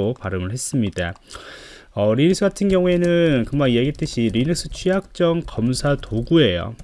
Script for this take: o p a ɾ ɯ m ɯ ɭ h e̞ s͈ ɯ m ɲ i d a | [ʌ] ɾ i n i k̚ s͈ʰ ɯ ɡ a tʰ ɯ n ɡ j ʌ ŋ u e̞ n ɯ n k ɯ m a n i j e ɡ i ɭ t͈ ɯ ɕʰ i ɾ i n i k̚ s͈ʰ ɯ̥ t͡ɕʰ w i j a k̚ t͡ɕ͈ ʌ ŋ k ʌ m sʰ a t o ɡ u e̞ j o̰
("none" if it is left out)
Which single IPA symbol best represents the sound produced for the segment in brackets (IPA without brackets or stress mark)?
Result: ʌ